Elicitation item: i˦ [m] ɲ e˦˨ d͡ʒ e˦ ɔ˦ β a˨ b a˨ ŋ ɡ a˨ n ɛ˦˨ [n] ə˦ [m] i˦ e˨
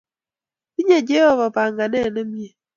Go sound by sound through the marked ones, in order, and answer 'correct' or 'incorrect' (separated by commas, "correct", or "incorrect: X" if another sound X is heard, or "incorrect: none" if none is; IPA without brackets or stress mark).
incorrect: none, correct, correct